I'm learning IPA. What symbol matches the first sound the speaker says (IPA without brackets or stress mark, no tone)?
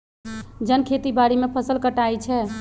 d͡ʒ